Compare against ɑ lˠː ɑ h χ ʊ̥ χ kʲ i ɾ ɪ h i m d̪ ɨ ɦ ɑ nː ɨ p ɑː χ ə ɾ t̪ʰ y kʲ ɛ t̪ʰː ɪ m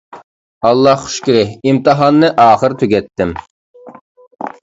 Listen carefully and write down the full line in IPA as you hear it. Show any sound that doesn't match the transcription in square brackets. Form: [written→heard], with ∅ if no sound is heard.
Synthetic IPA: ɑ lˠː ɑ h χ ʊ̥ [χ→ʃ] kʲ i ɾ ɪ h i m [d̪→t̪] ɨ ɦ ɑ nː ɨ [p→ʔ] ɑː χ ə ɾ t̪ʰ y [kʲ→ɡʲ] ɛ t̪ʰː ɪ m